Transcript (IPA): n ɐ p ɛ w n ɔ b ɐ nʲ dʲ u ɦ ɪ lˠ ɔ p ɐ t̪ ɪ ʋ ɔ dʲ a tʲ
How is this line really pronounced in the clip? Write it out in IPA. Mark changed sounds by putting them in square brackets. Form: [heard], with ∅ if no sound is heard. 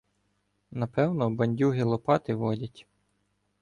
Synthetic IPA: n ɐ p ɛ w n ɔ b ɐ nʲ dʲ u ɦ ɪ lˠ ɔ p [ɑ] t̪ ɪ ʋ ɔ dʲ [ɐ] tʲ